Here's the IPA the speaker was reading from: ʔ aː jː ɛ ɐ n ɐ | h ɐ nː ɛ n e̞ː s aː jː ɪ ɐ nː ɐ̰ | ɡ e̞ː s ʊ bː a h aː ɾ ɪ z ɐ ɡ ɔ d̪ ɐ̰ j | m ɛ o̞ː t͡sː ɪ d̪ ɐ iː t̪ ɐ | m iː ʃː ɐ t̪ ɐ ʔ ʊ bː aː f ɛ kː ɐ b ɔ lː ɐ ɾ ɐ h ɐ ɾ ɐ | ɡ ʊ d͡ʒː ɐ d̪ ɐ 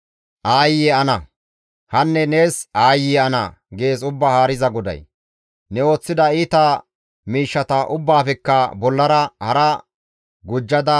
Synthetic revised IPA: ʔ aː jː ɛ ɐ n ɐ | h ɐ nː ɛ n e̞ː s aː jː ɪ ɐ n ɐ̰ | ɡ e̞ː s ʊ bː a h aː ɾ ɪ z ɐ ɡ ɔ d̪ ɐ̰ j | n ɛ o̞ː t͡sː ɪ d̪ ɐ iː t̪ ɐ | m iː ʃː ɐ t̪ ɐ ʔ ʊ bː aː f ɛ kː ɐ b ɔ lː ɐ ɾ ɐ h ɐ ɾ ɐ | ɡ ʊ d͡ʒː ɐ d̪ ɐ